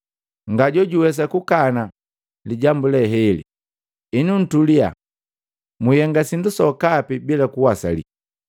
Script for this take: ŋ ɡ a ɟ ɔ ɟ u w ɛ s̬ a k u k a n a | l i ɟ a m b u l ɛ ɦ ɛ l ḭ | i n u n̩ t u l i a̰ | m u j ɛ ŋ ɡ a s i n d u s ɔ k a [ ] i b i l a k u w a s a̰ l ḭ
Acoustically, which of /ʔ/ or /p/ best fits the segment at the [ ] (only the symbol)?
p